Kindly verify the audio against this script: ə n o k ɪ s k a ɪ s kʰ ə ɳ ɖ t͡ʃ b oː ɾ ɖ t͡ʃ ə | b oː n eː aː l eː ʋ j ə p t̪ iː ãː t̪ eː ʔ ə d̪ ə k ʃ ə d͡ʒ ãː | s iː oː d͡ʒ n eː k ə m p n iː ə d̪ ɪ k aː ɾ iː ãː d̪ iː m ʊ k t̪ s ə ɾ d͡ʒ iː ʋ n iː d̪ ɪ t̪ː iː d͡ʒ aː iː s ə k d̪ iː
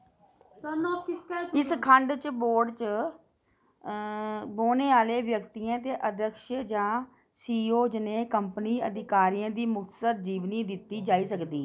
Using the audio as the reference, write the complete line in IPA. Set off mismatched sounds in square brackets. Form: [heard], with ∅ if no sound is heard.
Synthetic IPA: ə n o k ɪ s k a ɪ s kʰ ə ɳ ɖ t͡ʃ b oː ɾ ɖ t͡ʃ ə | b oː n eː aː l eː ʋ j ə [k] t̪ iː ãː t̪ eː ʔ ə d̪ ə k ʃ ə d͡ʒ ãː | s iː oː d͡ʒ n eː k ə m p n iː ə d̪ ɪ k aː ɾ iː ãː d̪ iː m ʊ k t̪ s ə ɾ d͡ʒ iː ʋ n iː d̪ ɪ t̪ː iː d͡ʒ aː iː s ə k d̪ iː